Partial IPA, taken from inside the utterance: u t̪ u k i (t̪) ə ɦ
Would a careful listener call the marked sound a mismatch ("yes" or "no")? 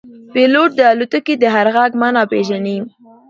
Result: yes